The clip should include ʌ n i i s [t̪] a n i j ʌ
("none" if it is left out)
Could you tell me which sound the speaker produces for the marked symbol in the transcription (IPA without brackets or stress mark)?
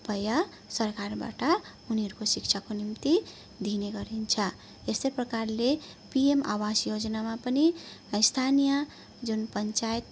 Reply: t̪ʰ